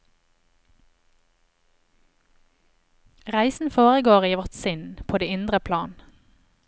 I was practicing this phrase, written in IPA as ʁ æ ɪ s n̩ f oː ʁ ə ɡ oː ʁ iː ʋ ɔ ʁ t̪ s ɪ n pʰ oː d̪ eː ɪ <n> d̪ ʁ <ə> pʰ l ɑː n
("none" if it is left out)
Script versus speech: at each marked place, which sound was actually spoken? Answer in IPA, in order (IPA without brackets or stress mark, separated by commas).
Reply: n, ə